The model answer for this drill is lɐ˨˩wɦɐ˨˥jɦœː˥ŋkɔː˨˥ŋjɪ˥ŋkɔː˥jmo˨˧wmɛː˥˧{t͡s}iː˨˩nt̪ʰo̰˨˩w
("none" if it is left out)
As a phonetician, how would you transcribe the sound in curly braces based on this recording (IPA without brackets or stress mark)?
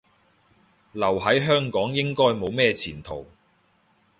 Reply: t͡sʰ